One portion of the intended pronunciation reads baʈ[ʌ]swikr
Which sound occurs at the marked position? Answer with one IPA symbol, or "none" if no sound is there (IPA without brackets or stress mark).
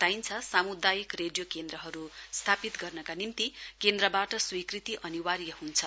ʌ